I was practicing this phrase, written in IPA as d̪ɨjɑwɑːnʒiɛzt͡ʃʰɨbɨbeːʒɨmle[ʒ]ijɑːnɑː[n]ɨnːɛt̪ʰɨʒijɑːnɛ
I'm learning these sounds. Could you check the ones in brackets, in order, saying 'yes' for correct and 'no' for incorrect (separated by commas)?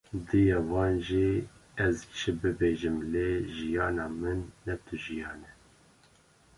yes, no